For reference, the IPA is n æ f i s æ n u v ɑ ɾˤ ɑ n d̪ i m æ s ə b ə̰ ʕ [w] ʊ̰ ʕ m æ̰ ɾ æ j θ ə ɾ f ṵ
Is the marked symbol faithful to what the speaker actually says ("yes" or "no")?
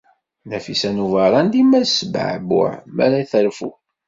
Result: no